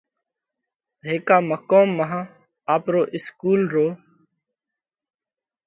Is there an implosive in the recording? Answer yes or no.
no